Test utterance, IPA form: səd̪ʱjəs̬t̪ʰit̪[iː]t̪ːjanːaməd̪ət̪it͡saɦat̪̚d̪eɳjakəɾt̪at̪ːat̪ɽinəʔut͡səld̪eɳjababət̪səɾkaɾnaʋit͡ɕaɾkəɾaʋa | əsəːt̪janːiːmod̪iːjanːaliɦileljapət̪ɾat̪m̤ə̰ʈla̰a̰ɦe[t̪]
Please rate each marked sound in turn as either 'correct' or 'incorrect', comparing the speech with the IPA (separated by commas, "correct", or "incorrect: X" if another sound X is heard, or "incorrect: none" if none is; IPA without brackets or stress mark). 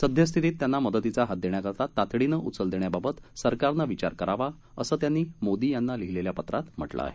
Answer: correct, incorrect: none